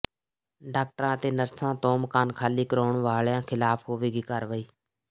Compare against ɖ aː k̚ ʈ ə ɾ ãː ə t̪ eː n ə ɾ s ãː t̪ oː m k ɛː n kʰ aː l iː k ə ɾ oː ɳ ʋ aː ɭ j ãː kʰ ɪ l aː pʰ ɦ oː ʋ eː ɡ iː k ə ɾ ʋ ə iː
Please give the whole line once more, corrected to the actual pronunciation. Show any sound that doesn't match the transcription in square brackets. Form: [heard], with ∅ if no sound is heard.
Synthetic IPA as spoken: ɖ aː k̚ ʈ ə ɾ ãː ə t̪ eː n ə ɾ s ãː t̪ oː m k [aː] n kʰ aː l iː k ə ɾ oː ɳ ʋ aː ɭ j ãː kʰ ɪ l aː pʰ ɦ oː ʋ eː ɡ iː k ə ɾ ʋ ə iː